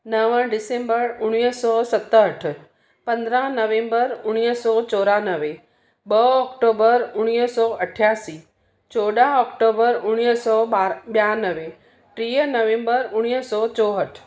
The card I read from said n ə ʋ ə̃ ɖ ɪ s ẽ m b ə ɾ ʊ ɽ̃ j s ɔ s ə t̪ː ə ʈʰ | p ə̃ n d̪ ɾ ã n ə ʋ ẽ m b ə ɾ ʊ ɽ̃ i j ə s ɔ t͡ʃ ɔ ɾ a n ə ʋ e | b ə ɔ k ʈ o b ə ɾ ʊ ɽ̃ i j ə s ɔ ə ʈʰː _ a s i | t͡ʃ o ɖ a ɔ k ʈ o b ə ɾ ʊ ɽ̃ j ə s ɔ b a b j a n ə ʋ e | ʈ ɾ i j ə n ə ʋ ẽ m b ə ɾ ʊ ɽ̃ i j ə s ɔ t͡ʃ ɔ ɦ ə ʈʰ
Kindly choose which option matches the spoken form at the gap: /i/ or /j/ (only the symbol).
j